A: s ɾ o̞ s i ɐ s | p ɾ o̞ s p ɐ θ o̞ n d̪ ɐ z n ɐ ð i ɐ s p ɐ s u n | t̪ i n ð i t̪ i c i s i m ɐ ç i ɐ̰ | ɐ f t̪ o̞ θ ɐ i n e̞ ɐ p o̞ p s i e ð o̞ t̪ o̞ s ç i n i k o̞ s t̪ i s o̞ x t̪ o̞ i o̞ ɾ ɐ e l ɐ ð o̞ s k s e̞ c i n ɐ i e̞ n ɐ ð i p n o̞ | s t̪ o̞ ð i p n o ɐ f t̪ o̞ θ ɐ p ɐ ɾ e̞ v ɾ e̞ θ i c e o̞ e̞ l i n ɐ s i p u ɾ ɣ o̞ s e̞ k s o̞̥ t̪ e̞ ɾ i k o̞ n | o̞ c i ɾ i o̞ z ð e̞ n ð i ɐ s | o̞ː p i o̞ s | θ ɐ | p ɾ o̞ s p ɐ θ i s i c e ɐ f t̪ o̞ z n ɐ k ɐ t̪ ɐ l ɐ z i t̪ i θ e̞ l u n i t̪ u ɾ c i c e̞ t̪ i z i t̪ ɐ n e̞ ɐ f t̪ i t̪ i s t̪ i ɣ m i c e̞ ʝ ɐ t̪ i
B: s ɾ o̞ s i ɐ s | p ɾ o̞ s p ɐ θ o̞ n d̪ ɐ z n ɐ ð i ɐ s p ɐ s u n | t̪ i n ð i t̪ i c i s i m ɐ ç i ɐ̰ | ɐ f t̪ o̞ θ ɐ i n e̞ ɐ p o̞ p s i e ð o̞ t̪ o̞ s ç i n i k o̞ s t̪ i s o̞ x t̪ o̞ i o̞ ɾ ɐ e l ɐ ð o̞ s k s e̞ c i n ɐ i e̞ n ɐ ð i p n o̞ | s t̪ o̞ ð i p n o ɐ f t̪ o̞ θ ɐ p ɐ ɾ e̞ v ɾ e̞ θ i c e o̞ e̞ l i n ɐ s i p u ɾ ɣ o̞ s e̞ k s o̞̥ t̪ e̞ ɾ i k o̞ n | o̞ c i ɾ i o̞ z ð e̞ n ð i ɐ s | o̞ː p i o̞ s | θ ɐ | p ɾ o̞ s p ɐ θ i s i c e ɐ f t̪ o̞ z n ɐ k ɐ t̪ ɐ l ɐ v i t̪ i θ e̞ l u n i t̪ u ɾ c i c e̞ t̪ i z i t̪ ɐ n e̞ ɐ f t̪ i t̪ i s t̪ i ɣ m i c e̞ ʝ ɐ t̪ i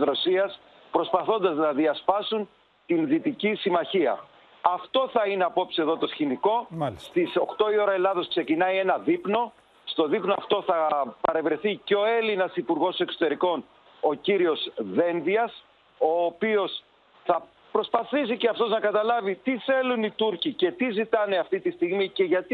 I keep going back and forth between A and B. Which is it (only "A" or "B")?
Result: B